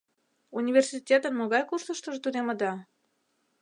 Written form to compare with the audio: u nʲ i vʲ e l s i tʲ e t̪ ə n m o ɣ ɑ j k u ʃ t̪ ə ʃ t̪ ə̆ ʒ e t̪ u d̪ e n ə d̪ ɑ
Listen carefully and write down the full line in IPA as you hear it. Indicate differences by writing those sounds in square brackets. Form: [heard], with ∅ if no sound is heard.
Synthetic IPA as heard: u nʲ i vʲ e [r] s i tʲ e t̪ ə n m o ɣ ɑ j k u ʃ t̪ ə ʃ t̪ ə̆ ʒ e t̪ u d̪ e [m] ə d̪ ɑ